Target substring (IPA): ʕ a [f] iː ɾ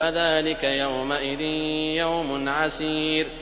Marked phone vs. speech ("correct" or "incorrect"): incorrect